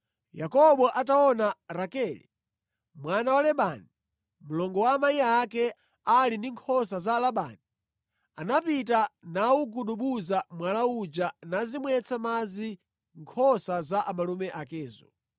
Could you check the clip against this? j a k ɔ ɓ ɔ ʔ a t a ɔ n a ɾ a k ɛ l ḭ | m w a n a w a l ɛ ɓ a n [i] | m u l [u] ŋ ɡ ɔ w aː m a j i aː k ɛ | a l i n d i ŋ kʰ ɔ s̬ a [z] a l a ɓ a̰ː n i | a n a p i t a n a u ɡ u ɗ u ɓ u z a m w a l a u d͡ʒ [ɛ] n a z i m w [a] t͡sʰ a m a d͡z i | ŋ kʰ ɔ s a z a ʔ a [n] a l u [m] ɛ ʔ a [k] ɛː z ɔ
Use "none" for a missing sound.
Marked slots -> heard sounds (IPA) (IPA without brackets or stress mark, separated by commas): i, ɔ, z, a, ɛ, m, m, k